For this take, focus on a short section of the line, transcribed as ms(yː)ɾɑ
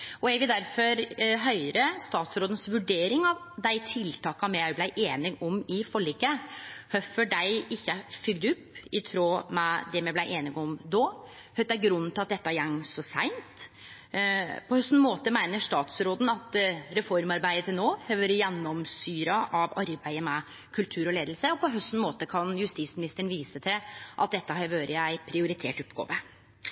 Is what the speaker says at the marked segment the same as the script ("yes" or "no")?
yes